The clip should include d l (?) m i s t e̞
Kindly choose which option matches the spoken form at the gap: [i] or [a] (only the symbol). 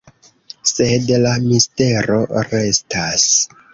a